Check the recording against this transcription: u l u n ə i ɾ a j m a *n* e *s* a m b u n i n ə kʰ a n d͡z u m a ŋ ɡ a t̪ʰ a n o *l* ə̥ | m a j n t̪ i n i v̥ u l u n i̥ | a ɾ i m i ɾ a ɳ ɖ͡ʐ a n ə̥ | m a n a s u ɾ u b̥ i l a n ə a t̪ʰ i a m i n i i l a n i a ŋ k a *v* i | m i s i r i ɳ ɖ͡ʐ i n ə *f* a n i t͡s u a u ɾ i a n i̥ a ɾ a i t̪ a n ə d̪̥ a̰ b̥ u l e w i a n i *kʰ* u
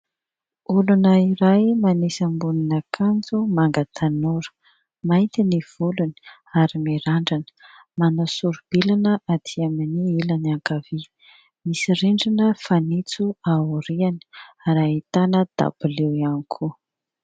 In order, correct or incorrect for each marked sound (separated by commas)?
correct, correct, incorrect, correct, correct, correct